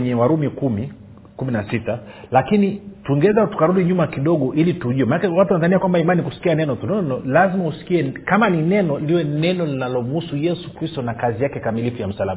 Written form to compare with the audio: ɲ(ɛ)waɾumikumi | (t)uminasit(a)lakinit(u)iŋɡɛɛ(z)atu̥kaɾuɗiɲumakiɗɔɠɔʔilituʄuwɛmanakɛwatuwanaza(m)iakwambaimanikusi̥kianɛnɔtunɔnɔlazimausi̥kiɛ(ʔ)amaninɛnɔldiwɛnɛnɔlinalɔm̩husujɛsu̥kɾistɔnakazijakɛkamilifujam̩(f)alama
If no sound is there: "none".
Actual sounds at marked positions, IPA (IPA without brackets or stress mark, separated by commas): ɛ, k, a, u, z, n, k, s